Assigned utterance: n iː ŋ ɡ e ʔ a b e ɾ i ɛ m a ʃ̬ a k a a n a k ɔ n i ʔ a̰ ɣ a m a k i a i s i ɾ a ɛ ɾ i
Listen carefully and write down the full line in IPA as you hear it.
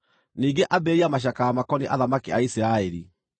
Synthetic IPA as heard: n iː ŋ ɡ e ʔ a b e ɾ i a m a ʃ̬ a k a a m a k ɔ n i ʔ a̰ ð a m a k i a i s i ɾ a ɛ ɾ i